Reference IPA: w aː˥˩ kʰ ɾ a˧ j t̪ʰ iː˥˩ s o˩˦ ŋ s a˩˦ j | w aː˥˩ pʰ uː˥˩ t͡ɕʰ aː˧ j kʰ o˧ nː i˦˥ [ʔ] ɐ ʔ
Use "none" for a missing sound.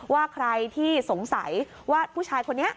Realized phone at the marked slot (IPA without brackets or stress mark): none